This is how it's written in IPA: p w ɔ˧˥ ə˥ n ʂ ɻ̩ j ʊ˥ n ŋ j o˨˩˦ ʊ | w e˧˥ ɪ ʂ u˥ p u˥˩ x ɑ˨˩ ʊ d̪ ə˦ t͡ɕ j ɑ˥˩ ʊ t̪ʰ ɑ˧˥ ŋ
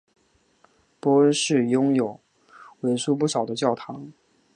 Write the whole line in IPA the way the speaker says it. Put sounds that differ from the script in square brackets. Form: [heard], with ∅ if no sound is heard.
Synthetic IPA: p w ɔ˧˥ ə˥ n ʂ ɻ̩ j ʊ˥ [∅] ŋ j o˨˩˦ ʊ | w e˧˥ ɪ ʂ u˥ p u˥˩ [ʂ] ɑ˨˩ ʊ d̪ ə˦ t͡ɕ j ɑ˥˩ ʊ t̪ʰ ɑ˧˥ ŋ